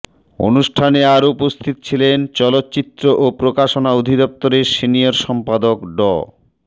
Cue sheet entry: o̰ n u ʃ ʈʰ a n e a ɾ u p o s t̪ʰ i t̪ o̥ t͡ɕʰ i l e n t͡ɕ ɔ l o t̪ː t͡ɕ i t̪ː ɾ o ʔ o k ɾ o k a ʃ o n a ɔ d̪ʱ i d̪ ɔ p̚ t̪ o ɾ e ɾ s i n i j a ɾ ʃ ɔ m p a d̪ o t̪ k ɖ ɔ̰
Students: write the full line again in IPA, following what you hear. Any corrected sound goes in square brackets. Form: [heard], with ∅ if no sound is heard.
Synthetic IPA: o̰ n u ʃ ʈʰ a n e a ɾ u p o s t̪ʰ i t̪ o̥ t͡ɕʰ i l e n t͡ɕ ɔ l o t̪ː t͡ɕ i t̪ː ɾ o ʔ o [p] ɾ o k a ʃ o n a [o] d̪ʱ i d̪ ɔ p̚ t̪ o ɾ e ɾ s i n i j a ɾ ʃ ɔ m p a d̪ o [∅] k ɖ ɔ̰